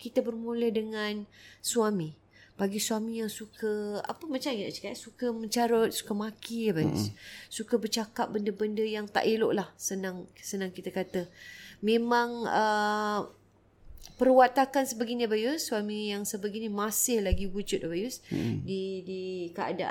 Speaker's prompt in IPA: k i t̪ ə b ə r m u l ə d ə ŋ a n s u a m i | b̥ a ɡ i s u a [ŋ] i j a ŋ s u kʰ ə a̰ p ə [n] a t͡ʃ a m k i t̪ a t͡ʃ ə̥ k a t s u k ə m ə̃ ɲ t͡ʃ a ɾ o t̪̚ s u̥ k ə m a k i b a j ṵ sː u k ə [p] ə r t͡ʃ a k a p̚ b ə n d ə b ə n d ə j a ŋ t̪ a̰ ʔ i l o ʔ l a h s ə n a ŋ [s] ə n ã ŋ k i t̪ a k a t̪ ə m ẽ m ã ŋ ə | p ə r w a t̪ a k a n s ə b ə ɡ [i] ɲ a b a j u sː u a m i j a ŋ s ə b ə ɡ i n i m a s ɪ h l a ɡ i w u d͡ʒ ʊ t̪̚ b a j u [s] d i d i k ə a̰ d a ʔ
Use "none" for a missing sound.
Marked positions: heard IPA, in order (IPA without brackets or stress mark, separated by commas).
m, m, b, s, i, s